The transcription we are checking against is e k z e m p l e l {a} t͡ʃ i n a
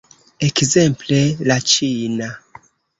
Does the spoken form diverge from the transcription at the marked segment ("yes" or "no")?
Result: no